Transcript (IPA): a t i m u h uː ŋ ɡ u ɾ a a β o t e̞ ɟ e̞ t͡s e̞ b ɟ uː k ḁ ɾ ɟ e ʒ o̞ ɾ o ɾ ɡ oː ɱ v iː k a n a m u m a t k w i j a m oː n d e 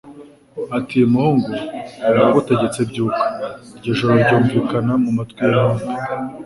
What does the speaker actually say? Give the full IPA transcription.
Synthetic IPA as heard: a t i m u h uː ŋ ɡ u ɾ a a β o t e̞ ɟ e̞ t͡s e̞ b ɟ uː k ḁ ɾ ɟ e ʒ o̞ ɾ o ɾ ɟ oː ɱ v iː k a n a m u m a t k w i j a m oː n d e